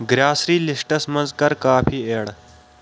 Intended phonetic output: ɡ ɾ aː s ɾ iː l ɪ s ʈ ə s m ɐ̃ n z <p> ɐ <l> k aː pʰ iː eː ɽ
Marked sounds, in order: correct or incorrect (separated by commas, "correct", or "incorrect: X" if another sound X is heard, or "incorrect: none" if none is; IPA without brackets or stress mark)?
incorrect: k, incorrect: ɾ